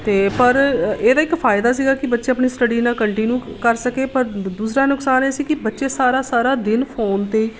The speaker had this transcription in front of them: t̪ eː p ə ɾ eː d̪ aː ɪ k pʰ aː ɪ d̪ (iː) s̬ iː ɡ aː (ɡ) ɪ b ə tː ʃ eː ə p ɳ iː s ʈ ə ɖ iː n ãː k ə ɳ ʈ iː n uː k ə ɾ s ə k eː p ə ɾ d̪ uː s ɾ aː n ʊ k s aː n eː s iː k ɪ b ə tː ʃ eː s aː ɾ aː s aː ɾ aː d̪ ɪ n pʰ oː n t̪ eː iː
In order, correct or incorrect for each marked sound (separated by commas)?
incorrect, incorrect